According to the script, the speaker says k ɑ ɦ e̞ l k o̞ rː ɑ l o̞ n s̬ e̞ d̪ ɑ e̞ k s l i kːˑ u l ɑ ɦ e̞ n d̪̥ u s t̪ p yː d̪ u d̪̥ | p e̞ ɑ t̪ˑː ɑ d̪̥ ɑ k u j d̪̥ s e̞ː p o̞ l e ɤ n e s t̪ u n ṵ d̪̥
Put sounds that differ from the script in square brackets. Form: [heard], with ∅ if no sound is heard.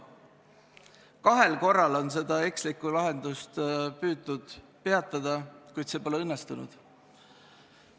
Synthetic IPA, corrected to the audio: k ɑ ɦ e̞ l k o̞ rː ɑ l o̞ n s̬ e̞ d̪ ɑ e̞ k s l i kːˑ u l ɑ ɦ e̞ n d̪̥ u s t̪ p yː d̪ u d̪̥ | p e̞ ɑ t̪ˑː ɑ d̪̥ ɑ k u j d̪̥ s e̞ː p o̞ l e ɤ [nː] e s t̪ u n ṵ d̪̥